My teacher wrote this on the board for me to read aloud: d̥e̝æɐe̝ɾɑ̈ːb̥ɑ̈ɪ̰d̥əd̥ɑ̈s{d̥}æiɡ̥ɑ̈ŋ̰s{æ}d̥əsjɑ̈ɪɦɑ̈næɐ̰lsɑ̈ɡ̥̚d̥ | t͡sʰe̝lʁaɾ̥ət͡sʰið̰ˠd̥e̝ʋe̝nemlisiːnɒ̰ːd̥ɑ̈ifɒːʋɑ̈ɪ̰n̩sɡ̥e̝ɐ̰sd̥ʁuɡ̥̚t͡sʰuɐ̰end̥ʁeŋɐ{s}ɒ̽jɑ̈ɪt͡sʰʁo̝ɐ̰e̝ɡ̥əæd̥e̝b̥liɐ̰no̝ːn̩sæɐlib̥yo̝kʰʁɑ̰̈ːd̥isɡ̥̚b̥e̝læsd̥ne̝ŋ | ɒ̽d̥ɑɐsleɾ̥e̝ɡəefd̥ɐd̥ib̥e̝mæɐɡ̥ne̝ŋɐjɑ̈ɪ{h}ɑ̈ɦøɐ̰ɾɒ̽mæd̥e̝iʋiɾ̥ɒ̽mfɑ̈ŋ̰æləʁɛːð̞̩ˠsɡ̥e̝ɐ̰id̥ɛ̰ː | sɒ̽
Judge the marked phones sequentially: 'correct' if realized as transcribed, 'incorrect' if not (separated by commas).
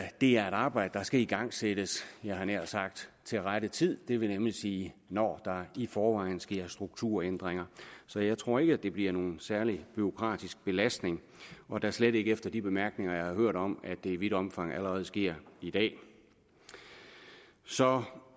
incorrect, incorrect, correct, correct